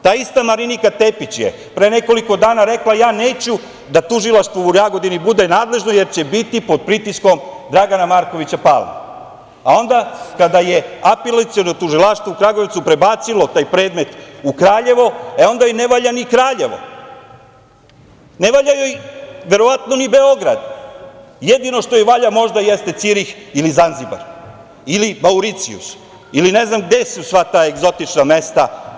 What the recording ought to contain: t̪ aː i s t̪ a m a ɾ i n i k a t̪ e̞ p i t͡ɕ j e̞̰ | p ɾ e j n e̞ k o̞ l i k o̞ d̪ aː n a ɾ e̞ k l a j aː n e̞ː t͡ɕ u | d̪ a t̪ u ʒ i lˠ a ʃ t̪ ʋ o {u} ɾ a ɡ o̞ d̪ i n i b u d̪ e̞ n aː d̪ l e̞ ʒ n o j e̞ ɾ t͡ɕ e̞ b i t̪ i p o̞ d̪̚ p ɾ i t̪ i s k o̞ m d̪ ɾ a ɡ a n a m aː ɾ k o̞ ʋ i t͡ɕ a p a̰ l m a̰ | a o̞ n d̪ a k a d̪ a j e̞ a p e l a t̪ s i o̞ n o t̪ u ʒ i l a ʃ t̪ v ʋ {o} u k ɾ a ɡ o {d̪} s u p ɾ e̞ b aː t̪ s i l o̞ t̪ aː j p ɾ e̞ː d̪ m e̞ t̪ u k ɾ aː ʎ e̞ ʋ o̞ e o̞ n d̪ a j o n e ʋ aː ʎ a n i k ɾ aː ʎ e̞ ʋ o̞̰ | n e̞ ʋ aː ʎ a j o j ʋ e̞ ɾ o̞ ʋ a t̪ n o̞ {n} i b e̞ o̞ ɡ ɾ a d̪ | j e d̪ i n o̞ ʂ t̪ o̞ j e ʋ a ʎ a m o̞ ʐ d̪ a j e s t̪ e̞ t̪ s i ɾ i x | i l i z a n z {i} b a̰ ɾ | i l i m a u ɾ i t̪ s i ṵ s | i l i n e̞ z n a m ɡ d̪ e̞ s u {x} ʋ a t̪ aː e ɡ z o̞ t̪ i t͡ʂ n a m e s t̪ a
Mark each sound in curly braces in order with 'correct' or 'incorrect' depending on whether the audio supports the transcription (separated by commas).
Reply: correct, correct, incorrect, correct, correct, incorrect